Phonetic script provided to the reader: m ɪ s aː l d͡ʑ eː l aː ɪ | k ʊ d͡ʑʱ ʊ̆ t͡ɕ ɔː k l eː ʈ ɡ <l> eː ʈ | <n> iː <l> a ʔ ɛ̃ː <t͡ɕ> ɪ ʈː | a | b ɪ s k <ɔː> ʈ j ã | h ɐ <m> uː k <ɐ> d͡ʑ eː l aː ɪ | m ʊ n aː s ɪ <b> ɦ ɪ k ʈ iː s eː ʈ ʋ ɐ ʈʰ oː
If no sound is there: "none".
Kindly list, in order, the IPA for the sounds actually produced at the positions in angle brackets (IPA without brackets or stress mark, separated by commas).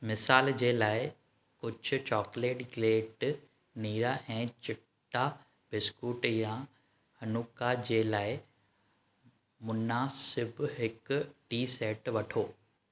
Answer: l, n, ɾ, t͡ɕ, uː, n, a, b